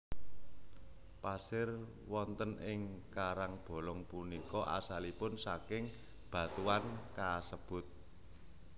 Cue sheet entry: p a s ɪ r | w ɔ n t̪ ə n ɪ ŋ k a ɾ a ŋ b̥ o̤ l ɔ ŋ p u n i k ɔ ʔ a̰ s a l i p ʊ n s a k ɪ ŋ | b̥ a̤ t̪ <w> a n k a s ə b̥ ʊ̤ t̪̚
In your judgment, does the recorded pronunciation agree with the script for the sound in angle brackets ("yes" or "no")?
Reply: no